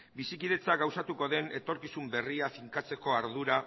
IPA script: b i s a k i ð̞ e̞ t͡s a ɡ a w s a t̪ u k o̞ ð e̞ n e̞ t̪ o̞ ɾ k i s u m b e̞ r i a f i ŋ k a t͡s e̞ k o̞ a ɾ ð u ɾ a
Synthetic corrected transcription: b i s i k i ð̞ e̞ t͡s a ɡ a w s a t̪ u k o̞ ð e̞ n e̞ t̪ o̞ ɾ k i s u m b e̞ r i a f i ŋ k a t͡s e̞ k o̞ a ɾ ð u ɾ a